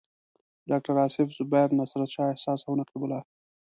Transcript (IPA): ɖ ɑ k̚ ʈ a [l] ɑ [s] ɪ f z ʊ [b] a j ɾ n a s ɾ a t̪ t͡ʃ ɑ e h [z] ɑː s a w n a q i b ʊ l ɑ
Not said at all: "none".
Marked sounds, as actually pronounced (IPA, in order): ɾ, s, b, s

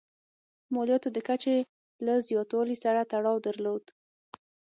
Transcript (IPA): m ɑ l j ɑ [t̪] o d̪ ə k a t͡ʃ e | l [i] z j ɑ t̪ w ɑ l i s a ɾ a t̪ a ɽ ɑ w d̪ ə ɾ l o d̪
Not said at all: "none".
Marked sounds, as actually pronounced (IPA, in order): t̪, a

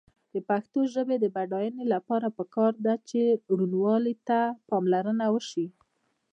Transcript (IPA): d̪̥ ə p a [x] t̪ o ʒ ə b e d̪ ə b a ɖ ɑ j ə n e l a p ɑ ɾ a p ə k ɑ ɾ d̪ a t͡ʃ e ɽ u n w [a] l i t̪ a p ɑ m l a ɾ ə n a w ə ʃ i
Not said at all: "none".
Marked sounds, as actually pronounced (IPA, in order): x, ɑ

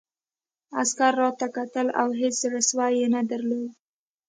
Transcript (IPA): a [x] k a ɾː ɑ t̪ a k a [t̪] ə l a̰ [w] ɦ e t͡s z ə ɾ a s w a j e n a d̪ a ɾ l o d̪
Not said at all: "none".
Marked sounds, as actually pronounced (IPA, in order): s, t̪, w

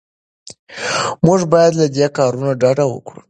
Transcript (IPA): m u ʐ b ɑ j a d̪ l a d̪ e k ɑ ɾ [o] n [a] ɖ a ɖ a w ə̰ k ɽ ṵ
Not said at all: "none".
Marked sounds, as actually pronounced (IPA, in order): u, a

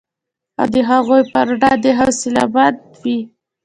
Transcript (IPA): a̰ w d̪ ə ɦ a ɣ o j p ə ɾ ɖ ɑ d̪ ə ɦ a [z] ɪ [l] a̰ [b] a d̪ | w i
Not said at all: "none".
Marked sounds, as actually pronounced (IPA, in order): s, l, b

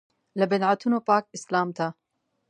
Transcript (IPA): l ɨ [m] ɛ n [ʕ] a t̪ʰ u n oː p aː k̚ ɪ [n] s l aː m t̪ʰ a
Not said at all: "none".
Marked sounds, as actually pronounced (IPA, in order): b, ʕ, none

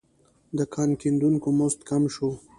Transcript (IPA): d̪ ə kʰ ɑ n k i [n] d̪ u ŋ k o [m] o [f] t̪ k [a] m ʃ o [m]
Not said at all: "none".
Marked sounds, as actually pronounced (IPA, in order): n, m, s, a, none

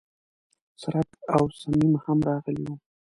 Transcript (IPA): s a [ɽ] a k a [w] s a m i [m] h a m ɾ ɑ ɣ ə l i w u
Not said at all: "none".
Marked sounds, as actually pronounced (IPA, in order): ɾ, w, m

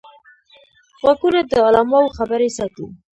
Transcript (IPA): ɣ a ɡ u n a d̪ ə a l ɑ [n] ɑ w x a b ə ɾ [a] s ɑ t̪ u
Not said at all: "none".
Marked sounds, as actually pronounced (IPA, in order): m, e

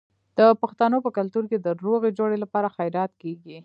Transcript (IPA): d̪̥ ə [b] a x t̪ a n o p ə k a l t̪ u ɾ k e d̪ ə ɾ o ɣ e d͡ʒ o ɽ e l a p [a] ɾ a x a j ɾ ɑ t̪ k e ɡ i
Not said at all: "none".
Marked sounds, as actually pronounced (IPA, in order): p, ɑ

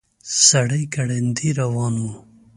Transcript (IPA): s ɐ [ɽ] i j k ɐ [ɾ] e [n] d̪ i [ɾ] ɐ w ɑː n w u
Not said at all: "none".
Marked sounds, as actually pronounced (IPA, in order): ɽ, ɽ, n, ɾ

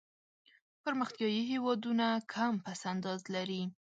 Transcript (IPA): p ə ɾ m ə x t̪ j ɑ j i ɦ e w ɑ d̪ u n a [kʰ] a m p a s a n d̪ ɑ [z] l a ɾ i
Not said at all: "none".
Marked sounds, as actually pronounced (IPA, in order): kʰ, z

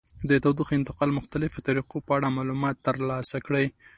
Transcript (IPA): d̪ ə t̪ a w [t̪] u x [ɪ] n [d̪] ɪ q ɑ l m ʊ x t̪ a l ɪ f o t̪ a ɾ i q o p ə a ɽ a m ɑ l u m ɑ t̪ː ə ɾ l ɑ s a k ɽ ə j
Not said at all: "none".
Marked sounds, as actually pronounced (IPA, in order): d̪, ɪ, t̪

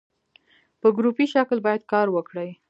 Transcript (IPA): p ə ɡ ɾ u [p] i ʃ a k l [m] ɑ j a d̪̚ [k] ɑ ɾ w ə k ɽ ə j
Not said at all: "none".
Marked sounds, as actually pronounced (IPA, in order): p, b, k

